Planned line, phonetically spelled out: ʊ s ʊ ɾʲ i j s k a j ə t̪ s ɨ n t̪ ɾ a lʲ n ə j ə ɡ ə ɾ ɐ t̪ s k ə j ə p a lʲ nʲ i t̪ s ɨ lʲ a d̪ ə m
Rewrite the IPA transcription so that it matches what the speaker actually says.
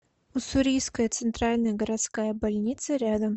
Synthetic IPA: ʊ s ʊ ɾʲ i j s k ə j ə t̪ s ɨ n t̪ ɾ a lʲ n ə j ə ɡ ə ɾ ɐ t̪ s k a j ə b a lʲ nʲ i t̪ s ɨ ɾʲ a d̪ ə m